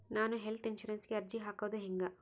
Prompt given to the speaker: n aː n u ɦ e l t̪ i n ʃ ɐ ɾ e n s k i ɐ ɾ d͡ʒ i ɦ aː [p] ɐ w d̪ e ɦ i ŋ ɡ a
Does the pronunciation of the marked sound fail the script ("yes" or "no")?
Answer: yes